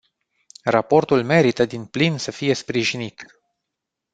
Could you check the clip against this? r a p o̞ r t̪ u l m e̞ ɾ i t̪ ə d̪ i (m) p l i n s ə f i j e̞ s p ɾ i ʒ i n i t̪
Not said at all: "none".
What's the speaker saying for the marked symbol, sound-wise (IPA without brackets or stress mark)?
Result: n